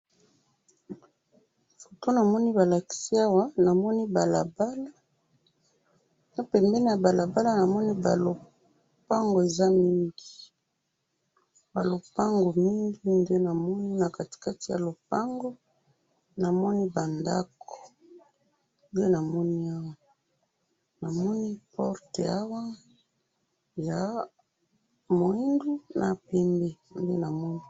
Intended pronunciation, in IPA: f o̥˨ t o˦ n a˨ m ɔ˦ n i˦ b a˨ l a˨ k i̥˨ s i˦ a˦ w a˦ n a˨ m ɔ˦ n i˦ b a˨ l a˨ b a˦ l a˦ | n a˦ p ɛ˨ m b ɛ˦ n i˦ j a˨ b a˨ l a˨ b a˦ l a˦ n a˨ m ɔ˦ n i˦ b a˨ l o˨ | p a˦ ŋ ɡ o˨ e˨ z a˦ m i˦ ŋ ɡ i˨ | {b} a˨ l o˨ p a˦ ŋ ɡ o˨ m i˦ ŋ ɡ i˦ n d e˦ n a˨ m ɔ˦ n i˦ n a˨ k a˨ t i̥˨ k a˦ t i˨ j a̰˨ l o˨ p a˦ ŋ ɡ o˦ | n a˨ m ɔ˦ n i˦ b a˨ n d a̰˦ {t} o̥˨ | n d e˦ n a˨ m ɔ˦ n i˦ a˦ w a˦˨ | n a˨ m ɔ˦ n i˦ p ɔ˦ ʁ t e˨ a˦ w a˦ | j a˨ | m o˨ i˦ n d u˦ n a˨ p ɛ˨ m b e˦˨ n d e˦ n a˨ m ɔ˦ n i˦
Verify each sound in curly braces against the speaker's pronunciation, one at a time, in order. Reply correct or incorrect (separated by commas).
correct, incorrect